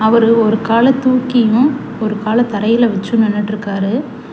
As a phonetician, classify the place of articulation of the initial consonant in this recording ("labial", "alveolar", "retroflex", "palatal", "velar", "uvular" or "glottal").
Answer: labial